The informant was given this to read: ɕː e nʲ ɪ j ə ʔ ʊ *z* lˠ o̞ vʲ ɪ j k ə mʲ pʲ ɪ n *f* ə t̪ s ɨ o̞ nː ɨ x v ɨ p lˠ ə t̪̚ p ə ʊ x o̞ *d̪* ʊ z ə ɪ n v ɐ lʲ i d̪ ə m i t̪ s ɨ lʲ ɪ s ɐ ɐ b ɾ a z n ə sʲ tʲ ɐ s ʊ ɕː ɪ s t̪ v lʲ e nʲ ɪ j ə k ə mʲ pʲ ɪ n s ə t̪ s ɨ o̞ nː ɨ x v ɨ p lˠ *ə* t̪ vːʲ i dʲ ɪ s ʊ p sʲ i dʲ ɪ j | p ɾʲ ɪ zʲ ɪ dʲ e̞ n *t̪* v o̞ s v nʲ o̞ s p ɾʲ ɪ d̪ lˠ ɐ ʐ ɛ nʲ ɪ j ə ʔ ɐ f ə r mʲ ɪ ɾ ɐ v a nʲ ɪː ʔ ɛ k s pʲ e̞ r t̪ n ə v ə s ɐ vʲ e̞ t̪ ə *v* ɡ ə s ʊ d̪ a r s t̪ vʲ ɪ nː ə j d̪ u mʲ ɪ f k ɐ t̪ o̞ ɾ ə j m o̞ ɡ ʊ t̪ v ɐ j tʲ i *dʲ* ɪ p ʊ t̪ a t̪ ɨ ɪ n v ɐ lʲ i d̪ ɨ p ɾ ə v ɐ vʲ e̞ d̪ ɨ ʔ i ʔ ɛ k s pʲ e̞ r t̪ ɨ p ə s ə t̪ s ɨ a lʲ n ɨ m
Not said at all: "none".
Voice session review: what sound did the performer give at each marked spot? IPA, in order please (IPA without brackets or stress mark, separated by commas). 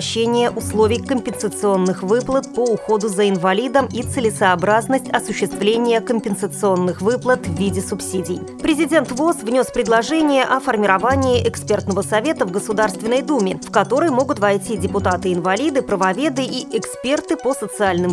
s, s, d̪, ə, t̪, v, dʲ